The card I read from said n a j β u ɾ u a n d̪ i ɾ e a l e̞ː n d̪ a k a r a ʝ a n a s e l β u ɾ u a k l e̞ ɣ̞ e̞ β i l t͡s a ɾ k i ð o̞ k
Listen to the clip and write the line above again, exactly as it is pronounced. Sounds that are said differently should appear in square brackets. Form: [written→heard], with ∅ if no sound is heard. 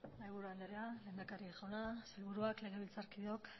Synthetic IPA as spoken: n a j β u ɾ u a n d̪ [i→e] ɾ e a l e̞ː n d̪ a k a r [a→i] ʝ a n a s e l β u ɾ u a k l e̞ ɣ̞ e̞ β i l t͡s a ɾ k i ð o̞ k